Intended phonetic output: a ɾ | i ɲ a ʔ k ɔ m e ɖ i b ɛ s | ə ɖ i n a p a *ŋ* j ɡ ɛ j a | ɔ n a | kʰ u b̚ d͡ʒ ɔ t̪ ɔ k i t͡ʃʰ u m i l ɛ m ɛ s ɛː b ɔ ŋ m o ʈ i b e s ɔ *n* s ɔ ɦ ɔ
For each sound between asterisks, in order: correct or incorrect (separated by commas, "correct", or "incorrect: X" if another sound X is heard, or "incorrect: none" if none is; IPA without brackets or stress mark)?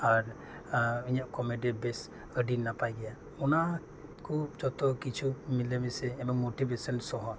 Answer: incorrect: none, correct